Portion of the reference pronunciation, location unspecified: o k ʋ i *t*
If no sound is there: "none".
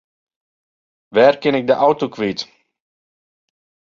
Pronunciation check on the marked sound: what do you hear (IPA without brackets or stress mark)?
t